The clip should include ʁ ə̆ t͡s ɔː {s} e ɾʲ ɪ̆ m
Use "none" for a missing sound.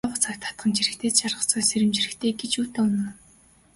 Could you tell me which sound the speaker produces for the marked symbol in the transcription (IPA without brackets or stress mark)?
s